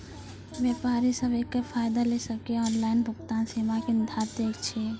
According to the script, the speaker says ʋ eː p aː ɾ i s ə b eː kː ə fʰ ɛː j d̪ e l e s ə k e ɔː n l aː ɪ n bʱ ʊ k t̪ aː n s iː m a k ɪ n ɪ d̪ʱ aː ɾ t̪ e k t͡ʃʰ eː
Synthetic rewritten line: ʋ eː p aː ɾ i s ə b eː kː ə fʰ aː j d̪ a l e s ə k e ɔː n l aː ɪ n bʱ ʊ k t̪ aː n s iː m a k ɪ n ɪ d̪ʱ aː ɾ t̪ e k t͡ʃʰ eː